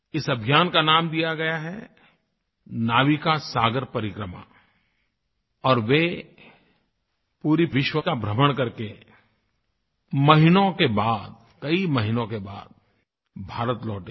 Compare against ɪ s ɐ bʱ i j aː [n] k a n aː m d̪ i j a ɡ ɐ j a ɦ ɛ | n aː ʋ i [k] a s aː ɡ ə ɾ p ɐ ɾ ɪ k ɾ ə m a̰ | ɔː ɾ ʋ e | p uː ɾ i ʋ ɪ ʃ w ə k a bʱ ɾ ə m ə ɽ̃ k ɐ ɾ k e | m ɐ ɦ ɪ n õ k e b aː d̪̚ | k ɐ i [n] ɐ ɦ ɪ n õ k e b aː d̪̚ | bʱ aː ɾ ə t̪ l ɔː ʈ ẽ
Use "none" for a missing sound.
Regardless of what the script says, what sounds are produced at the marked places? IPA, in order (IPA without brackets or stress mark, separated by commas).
n, k, m